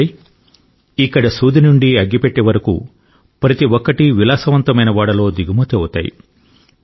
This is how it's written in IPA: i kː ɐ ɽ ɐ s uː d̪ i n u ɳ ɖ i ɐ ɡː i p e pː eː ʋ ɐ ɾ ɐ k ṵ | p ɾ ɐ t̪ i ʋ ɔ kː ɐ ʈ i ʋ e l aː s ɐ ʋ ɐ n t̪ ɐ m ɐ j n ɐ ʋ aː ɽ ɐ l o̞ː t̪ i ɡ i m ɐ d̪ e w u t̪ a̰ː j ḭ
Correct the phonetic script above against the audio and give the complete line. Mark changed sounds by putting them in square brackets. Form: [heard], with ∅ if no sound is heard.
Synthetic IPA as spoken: i kː ɐ ɽ ɐ s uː d̪ i n u ɳ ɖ i ɐ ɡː i p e [ʈː] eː ʋ ɐ ɾ ɐ k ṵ | p ɾ ɐ t̪ i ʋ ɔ kː ɐ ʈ i ʋ [i] l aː s ɐ ʋ ɐ n t̪ ɐ m ɐ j n ɐ ʋ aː ɽ ɐ l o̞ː [d̪] i ɡ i m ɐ [t̪] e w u t̪ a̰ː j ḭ